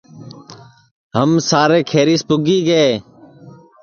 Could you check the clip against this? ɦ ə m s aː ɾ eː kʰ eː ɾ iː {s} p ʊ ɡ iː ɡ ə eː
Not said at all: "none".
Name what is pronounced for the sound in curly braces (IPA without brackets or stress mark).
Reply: s